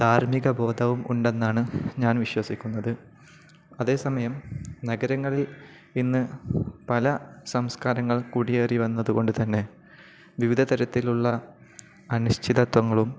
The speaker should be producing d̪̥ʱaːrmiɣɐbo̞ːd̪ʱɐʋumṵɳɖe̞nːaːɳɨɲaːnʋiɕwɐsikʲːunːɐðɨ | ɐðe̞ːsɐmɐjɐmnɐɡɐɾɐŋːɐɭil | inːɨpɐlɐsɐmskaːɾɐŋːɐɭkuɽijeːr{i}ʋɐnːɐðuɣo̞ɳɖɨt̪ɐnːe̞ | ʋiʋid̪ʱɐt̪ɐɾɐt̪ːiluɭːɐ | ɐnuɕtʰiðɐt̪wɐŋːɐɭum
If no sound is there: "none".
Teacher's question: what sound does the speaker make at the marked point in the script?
i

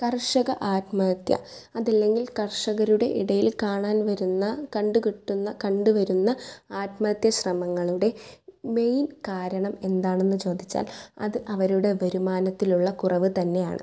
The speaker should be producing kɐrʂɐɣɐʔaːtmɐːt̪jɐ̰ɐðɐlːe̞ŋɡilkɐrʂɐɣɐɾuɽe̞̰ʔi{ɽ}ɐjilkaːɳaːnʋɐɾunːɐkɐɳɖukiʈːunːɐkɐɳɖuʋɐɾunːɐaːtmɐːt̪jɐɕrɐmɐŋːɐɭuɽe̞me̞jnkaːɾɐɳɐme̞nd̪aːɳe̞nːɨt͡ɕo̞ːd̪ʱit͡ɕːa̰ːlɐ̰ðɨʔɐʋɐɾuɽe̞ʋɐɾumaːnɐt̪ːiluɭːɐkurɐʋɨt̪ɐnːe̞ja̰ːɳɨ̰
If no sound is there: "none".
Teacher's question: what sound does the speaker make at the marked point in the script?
ɽ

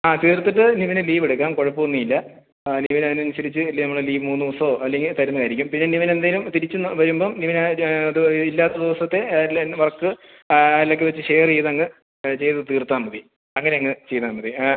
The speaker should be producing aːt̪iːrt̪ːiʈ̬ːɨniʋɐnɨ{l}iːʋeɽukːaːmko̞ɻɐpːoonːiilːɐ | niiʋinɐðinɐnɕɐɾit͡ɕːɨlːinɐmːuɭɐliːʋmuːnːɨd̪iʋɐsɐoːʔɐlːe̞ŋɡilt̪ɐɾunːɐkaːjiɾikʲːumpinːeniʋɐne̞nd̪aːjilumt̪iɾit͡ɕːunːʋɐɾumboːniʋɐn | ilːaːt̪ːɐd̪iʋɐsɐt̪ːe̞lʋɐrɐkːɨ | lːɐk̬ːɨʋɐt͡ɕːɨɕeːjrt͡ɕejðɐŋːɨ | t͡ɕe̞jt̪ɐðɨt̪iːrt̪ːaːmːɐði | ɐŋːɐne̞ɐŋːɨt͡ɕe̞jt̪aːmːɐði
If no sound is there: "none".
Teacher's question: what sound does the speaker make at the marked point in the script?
l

